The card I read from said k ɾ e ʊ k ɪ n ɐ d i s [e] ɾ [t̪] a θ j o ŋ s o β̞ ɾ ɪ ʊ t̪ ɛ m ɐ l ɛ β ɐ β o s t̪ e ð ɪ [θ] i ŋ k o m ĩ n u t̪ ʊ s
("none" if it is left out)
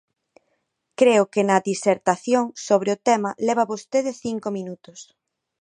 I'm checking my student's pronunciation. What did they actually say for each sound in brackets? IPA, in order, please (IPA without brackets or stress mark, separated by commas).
e, t̪, θ